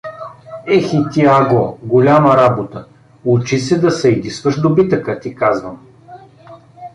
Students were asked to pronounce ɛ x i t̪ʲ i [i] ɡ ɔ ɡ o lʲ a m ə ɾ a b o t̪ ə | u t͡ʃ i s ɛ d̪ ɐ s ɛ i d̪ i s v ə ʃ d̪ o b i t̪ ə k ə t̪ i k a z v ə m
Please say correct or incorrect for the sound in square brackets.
incorrect